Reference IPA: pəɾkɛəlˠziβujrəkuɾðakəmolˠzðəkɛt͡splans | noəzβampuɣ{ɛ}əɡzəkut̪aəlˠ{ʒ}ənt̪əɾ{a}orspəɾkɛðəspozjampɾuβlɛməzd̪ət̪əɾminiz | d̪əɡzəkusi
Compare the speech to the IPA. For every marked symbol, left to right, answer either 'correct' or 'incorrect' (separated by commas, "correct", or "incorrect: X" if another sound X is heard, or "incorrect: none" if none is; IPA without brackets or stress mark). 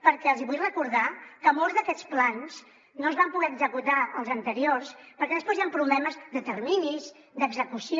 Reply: correct, incorrect: z, incorrect: i